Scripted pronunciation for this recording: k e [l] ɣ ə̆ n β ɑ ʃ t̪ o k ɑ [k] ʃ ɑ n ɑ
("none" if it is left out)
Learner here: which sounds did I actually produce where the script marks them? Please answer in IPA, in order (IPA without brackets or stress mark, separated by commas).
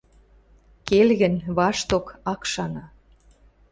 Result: l, k